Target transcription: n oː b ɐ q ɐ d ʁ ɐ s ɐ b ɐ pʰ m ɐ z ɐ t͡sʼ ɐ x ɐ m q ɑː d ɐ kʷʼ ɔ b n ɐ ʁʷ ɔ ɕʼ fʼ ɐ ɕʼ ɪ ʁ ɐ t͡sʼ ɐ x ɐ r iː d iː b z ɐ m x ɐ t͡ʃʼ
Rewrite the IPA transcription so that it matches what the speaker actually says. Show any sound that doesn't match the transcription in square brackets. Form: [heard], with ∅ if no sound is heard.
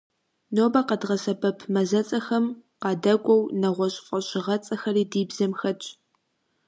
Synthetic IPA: n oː b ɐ q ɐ d ʁ ɐ s ɐ b ɐ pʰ m ɐ z ɐ t͡sʼ ɐ x ɐ m q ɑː d ɐ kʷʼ ɔ [w] n ɐ ʁʷ ɔ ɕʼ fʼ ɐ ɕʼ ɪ ʁ ɐ t͡sʼ ɐ x ɐ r iː d iː b z ɐ m x ɐ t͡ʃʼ